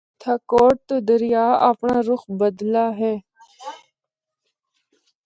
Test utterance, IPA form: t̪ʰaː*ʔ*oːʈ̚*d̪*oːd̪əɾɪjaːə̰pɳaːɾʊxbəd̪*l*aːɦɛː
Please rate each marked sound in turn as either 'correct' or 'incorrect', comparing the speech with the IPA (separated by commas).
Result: incorrect, incorrect, correct